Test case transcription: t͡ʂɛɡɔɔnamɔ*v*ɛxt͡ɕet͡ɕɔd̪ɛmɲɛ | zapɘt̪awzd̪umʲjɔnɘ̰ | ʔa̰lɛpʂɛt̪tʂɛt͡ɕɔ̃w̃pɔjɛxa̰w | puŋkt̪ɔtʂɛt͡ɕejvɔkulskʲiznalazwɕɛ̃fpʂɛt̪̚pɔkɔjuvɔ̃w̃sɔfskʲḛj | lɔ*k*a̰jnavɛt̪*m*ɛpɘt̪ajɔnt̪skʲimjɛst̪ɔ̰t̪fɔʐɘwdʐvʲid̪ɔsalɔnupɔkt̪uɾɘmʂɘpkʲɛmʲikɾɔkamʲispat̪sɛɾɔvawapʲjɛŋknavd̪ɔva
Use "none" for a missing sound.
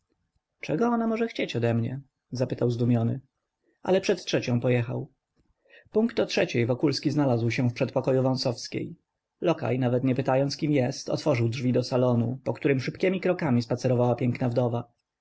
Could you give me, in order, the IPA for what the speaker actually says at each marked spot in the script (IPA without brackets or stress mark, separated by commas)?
ʐ, k, ɲ